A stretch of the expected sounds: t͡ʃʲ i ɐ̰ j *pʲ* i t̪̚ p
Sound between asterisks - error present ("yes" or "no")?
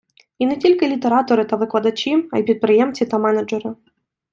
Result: no